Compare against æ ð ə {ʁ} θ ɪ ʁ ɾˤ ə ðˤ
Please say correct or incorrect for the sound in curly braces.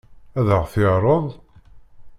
correct